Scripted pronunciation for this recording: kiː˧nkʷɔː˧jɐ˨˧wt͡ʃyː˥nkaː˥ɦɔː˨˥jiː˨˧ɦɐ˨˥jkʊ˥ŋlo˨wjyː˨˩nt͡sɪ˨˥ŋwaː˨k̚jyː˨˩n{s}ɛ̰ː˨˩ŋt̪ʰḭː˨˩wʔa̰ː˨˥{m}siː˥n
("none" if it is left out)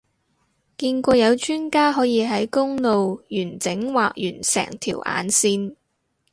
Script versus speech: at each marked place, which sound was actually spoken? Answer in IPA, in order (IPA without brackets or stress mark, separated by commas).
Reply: s, n